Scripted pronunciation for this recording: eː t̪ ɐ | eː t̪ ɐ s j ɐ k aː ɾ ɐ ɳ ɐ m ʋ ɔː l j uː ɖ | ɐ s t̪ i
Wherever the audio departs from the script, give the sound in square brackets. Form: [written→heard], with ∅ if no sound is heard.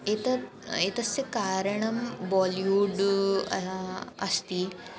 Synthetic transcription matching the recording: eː t̪ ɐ | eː t̪ ɐ s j ɐ k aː ɾ ɐ ɳ ɐ m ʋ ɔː l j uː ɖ | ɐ s t̪ i